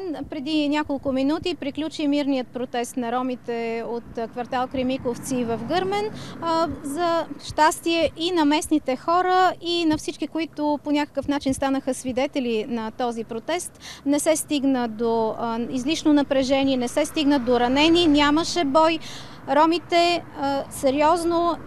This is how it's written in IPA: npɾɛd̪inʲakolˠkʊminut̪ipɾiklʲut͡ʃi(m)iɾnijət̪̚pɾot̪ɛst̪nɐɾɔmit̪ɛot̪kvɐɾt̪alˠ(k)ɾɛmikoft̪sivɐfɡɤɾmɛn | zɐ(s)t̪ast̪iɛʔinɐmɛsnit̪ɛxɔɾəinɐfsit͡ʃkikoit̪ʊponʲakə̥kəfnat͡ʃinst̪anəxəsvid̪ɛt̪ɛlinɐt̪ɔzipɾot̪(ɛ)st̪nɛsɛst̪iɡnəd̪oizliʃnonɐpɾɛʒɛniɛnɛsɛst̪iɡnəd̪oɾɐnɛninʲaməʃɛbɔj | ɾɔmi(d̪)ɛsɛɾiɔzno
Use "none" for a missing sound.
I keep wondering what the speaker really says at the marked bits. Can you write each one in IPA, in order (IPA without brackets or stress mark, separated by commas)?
m, k, ʃ, ɛ, t̪